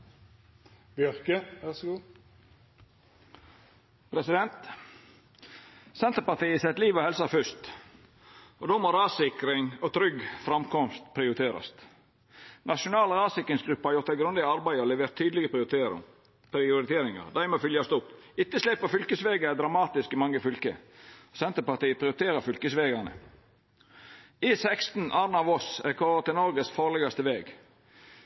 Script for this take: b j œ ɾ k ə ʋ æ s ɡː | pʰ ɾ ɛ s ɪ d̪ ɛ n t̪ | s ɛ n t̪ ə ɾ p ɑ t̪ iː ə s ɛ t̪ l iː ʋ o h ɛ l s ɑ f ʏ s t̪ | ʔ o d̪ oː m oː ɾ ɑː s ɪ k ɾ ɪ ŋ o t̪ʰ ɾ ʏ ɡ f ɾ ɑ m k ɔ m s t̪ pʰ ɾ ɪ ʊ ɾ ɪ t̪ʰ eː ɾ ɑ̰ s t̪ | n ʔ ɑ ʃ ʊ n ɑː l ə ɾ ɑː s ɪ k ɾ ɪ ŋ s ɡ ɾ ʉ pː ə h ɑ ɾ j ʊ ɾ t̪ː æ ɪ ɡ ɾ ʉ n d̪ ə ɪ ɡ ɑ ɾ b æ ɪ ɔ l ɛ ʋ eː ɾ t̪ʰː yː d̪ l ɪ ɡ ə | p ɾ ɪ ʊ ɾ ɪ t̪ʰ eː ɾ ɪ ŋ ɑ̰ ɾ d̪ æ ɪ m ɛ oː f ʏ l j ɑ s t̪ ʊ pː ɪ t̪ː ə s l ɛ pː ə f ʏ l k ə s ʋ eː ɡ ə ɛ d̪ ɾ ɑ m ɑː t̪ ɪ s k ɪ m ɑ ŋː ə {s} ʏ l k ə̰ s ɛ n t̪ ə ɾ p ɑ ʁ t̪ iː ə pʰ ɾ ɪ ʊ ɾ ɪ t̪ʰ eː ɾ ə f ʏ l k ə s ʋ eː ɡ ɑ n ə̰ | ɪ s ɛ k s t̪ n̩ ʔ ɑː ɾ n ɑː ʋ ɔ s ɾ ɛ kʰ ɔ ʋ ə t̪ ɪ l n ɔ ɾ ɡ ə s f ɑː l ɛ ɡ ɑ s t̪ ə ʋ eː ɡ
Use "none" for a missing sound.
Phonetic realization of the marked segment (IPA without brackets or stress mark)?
f